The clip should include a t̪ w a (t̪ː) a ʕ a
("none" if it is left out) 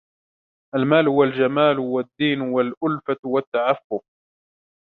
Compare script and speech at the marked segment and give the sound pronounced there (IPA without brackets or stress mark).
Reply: t̪ː